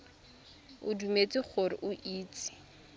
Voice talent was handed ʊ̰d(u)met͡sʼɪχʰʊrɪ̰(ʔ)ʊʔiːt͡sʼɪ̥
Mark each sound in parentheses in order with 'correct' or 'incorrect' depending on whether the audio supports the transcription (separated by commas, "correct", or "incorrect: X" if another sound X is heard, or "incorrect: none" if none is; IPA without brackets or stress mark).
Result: correct, correct